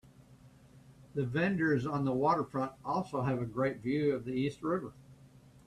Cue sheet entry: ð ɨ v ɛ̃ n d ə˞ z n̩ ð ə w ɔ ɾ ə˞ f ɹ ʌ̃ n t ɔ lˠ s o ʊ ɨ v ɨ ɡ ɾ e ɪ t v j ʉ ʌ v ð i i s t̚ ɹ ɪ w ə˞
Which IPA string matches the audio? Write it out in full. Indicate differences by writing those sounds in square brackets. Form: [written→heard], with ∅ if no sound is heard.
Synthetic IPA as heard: ð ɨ v ɛ̃ n d ə˞ z n̩ ð ə w ɔ ɾ ə˞ f ɹ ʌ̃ n t ɔ lˠ s o ʊ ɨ v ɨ ɡ [ɾ→ɹ] e ɪ t v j ʉ ʌ v ð i i s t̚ ɹ ɪ [w→v] ə˞